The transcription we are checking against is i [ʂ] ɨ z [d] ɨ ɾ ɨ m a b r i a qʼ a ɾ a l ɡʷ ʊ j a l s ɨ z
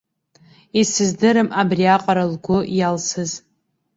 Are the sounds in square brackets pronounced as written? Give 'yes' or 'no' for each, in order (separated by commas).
no, yes